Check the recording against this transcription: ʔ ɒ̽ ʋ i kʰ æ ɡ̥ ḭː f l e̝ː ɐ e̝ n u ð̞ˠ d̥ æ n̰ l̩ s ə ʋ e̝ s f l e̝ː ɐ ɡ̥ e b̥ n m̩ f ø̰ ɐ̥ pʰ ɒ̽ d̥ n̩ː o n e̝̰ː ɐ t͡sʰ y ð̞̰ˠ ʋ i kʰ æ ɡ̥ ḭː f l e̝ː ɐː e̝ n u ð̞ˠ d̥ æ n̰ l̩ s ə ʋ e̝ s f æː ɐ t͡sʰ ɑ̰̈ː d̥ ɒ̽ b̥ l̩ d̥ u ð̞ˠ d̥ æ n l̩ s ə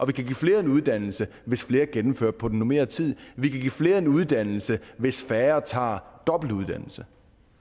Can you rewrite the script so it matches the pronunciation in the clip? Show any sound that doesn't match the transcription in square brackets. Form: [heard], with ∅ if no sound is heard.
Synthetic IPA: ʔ ɒ̽ ʋ i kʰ æ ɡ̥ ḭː f l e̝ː ɐ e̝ n u ð̞ˠ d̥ æ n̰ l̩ s ə ʋ e̝ s f l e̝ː ɐ ɡ̥ e [∅] n m̩ f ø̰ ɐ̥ pʰ ɒ̽ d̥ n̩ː o [m] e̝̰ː ɐ t͡sʰ [i] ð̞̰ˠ ʋ i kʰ æ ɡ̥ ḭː f l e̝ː [ɐ] e̝ n u ð̞ˠ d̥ æ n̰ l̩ s ə ʋ e̝ s f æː ɐ t͡sʰ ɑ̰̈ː d̥ ɒ̽ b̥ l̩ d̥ u ð̞ˠ d̥ æ n l̩ s ə

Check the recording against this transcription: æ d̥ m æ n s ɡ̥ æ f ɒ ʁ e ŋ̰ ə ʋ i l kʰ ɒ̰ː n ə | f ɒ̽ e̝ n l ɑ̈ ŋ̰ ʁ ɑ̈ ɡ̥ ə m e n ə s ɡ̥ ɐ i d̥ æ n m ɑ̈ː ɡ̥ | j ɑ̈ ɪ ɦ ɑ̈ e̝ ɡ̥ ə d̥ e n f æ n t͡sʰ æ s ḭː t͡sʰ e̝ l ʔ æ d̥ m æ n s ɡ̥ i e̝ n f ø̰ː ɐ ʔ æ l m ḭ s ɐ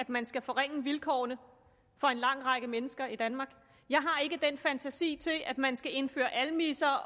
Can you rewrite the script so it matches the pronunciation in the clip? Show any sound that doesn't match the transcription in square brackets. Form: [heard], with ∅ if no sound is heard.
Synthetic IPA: æ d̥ m æ n s ɡ̥ æ f ɒ ʁ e ŋ̰ ə ʋ i l kʰ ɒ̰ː n ə | f ɒ̽ e̝ n l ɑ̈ ŋ̰ ʁ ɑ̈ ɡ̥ ə m e n ə s ɡ̥ ɐ i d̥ æ n m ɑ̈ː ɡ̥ | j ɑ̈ ɪ ɦ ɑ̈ e̝ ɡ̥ ə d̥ e n f æ n t͡sʰ æ s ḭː t͡sʰ e̝ l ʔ æ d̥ m æ n s ɡ̥ [æ] e̝ n f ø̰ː ɐ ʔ æ l m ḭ s ɐ

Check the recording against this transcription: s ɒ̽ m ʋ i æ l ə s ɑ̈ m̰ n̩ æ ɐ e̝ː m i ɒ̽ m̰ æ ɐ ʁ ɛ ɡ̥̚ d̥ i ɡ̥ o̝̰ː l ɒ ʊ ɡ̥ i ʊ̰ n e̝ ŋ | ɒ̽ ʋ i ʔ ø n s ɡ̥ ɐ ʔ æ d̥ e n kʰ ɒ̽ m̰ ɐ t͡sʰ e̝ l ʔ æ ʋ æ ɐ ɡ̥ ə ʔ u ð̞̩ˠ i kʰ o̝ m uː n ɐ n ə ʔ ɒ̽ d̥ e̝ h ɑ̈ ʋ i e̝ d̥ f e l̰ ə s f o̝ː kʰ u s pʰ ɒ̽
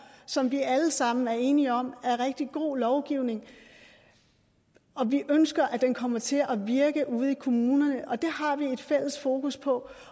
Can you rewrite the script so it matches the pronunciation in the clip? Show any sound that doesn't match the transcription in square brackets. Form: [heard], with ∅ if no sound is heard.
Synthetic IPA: s ɒ̽ m ʋ i æ l ə s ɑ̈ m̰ n̩ æ ɐ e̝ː [n] i ɒ̽ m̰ æ ɐ ʁ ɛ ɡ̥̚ d̥ i ɡ̥ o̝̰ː l ɒ ʊ ɡ̥ i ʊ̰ n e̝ ŋ | ɒ̽ ʋ i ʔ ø n s ɡ̥ ɐ ʔ æ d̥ e n kʰ ɒ̽ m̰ ɐ t͡sʰ e̝ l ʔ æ ʋ [i] ɐ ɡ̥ ə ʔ u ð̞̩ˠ i kʰ o̝ m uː n ɐ n ə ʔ ɒ̽ d̥ e̝ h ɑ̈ ʋ i e̝ d̥ f e l̰ ə s f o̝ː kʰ u s pʰ ɒ̽

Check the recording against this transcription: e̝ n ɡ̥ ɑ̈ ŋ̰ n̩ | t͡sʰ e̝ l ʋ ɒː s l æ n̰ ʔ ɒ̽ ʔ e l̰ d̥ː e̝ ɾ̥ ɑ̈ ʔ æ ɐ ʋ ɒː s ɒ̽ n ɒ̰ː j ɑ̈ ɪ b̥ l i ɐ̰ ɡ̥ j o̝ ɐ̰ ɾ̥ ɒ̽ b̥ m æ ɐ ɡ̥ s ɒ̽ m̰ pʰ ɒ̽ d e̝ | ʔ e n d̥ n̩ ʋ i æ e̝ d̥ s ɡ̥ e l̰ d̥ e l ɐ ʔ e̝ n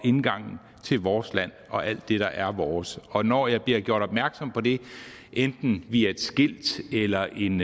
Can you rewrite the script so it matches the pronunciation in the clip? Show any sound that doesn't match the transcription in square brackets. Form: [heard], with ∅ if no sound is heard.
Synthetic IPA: e̝ n ɡ̥ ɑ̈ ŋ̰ n̩ | t͡sʰ e̝ l ʋ ɒː s l æ n̰ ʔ ɒ̽ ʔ [æ] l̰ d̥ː e̝ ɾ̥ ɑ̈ ʔ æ ɐ ʋ ɒː s ɒ̽ n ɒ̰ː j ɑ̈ ɪ b̥ l i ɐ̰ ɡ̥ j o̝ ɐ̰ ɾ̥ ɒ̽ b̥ m æ ɐ ɡ̥ s ɒ̽ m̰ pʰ ɒ̽ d e̝ | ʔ e n d̥ n̩ ʋ i æ e̝ d̥ s ɡ̥ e l̰ d̥ e l ɐ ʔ e̝ n

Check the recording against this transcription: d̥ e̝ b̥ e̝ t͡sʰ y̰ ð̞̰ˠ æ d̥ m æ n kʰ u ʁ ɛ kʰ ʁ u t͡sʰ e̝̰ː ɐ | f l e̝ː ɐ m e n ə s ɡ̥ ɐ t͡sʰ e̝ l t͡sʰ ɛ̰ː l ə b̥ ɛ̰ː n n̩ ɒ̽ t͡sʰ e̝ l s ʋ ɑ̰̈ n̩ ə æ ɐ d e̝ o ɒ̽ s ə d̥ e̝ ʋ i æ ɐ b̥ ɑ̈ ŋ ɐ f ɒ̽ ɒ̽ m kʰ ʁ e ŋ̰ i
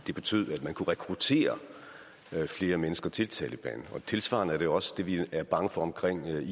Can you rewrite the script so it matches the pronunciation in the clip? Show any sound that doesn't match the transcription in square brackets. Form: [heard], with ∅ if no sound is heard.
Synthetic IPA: d̥ e̝ b̥ e̝ t͡sʰ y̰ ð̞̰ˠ æ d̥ m æ n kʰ u ʁ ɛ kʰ ʁ u t͡sʰ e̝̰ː ɐ | f l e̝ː ɐ m e n ə s ɡ̥ ɐ t͡sʰ e̝ l t͡sʰ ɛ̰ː l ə b̥ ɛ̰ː n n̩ ɒ̽ t͡sʰ e̝ l s ʋ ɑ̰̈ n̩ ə æ ɐ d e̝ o ɒ̽ s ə d̥ e̝ ʋ i æ ɐ b̥ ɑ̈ ŋ [ə] f ɒ̽ ɒ̽ m kʰ ʁ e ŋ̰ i

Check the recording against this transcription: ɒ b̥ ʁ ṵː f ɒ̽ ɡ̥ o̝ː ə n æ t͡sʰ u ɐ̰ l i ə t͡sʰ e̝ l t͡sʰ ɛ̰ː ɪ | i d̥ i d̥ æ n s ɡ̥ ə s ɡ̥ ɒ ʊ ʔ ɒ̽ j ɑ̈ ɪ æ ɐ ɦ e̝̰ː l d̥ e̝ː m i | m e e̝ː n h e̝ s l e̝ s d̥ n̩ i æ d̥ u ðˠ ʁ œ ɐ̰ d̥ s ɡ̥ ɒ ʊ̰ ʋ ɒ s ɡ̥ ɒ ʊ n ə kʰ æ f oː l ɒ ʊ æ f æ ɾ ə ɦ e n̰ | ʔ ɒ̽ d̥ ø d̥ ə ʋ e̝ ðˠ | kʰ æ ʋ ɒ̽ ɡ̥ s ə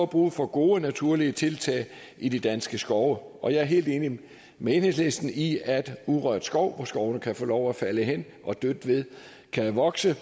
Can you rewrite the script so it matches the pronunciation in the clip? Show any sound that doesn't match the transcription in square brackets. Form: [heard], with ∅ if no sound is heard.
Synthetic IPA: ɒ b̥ ʁ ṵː f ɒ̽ ɡ̥ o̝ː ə n æ t͡sʰ u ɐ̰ l i ə t͡sʰ e̝ l t͡sʰ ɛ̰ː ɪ | i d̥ i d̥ æ n s ɡ̥ ə s ɡ̥ ɒ ʊ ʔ ɒ̽ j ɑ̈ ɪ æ ɐ ɦ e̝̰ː l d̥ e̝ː [n] i | m e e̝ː n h e̝ s l e̝ s d̥ n̩ i æ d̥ u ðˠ ʁ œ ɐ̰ d̥ s ɡ̥ ɒ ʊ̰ ʋ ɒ s ɡ̥ ɒ ʊ n ə kʰ æ f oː l ɒ ʊ æ f æ [l] ə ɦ e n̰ | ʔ ɒ̽ d̥ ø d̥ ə ʋ e̝ ðˠ | kʰ æ ʋ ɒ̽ ɡ̥ s ə

